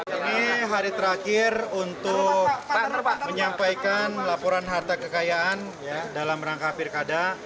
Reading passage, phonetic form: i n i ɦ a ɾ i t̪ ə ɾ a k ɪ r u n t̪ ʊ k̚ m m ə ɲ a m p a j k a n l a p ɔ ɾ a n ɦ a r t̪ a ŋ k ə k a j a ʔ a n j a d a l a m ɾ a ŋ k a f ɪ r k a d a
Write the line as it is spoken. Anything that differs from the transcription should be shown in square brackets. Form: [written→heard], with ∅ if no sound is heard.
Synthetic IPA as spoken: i n i ɦ a ɾ i t̪ ə ɾ a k ɪ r u n t̪ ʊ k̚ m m ə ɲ a m p a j k a n l a p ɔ ɾ a n ɦ a r t̪ a [ŋ→∅] k ə k a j a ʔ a n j a d a l a m ɾ a ŋ k a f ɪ r k a d a